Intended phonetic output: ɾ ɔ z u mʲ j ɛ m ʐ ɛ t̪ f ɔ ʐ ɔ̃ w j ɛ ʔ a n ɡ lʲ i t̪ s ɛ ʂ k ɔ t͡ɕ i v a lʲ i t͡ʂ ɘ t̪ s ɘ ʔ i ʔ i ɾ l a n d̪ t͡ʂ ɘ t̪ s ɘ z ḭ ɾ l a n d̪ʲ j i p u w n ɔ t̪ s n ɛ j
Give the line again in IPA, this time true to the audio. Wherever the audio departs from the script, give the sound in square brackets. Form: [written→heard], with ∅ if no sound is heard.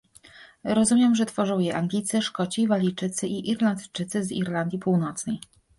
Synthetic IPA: ɾ ɔ z u mʲ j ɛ m ʐ ɛ t̪ f ɔ ʐ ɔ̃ w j ɛ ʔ a [n→ŋ] ɡ lʲ i t̪ s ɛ ʂ k ɔ t͡ɕ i v a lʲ i t͡ʂ ɘ t̪ s ɘ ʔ i ʔ i ɾ l a n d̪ t͡ʂ ɘ t̪ s ɘ z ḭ ɾ l a n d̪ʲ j i p u w n ɔ t̪ s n ɛ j